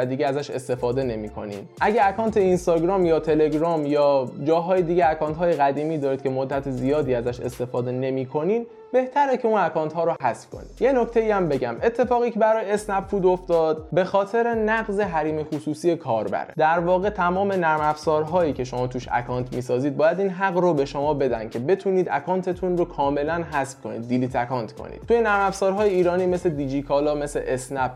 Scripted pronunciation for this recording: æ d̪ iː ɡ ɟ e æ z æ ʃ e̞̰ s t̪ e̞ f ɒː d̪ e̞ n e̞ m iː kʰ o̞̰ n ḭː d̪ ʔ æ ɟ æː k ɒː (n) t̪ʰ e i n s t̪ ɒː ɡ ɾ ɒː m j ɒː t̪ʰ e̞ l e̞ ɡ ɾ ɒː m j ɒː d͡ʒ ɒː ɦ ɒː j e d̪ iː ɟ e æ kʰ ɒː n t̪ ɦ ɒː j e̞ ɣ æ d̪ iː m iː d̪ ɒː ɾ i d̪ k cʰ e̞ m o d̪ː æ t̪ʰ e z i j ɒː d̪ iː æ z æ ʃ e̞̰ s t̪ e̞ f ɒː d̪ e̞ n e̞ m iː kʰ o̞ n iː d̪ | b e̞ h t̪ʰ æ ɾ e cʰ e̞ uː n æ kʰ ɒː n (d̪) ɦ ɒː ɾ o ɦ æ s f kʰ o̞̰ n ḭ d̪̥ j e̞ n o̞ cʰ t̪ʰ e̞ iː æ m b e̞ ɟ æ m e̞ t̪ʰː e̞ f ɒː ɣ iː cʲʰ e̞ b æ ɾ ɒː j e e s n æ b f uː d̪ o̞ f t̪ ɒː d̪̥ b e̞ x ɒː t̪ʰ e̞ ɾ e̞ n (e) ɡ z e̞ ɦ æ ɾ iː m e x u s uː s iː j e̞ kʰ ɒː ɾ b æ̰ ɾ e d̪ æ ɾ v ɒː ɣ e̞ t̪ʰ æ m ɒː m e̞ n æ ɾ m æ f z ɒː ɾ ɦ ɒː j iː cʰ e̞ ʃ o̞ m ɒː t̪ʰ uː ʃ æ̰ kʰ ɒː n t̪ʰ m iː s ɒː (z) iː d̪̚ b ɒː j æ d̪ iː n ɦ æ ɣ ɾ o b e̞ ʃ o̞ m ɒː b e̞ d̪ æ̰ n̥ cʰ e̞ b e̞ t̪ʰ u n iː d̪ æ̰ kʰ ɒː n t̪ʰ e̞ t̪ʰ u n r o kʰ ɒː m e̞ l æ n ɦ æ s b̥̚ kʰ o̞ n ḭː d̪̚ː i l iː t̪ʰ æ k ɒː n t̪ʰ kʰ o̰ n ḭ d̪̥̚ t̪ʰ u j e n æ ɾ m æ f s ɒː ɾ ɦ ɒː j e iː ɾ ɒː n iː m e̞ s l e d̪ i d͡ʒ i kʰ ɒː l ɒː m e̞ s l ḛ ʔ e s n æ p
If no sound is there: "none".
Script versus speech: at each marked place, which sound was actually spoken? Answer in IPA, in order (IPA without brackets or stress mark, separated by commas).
n, t̪, æ, z